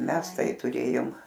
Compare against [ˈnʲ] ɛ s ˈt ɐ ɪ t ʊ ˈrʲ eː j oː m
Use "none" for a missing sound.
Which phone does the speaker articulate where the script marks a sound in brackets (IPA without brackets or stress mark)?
mʲ